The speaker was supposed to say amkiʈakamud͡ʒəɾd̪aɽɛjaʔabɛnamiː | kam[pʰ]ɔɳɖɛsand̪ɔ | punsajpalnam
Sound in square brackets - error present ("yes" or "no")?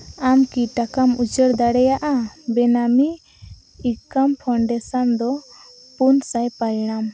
no